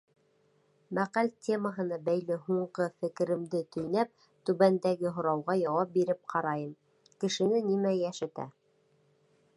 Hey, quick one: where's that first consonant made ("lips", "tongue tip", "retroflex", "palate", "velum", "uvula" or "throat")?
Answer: lips